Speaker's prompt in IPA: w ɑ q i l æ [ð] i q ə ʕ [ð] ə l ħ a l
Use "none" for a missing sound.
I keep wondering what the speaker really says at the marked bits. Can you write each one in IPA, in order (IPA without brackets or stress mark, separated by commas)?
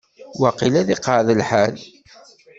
ð, ð